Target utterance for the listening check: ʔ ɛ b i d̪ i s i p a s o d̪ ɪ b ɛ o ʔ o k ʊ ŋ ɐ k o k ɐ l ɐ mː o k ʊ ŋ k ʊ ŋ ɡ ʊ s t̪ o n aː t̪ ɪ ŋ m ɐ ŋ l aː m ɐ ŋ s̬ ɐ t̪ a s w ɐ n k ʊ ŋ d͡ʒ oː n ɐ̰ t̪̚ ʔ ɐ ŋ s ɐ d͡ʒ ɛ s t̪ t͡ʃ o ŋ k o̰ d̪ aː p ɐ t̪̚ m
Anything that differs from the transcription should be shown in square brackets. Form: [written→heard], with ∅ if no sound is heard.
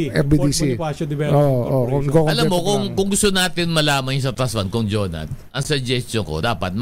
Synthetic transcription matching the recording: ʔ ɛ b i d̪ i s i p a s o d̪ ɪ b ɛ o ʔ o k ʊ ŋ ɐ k o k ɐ l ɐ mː o k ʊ ŋ k ʊ ŋ ɡ ʊ s t̪ o n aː t̪ ɪ [ŋ→n] m ɐ [ŋ→∅] l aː m ɐ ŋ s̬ ɐ t̪ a s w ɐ n k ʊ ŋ d͡ʒ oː n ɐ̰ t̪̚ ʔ ɐ ŋ s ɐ d͡ʒ ɛ s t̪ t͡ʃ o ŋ k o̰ d̪ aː p ɐ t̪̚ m